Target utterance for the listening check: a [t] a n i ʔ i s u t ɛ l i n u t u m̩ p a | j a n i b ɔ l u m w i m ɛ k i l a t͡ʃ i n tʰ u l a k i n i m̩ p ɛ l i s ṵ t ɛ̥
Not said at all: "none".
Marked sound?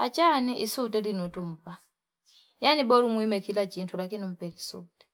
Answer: t͡ʃ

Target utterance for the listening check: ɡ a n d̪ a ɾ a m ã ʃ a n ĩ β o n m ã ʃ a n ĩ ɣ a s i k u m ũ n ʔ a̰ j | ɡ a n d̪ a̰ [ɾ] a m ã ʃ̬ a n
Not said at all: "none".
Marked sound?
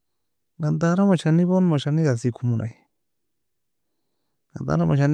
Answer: ɾ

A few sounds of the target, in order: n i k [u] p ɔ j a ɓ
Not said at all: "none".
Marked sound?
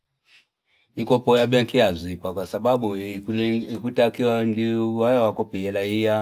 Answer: ɔ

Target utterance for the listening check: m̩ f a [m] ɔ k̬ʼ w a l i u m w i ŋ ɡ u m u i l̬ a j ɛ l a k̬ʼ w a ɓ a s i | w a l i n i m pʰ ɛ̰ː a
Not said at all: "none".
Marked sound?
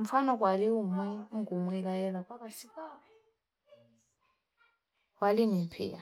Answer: n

